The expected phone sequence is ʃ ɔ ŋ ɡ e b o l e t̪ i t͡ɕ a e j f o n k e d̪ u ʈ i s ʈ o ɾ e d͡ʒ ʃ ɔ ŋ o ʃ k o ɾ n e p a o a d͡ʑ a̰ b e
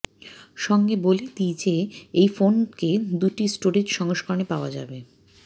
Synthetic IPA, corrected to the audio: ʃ ɔ ŋ ɡ e b o l e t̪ i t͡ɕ e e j f o n k e d̪ u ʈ i s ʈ o ɾ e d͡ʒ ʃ ɔ ŋ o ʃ k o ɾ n e p a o a d͡ʑ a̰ b e